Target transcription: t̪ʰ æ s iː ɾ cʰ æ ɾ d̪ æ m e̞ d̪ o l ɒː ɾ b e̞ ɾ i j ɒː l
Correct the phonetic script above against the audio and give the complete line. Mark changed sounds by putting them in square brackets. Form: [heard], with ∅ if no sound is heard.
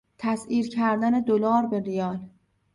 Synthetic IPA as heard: t̪ʰ æ s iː ɾ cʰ æ ɾ d̪ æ [n] e̞ d̪ o l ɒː ɾ b e̞ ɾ i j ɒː l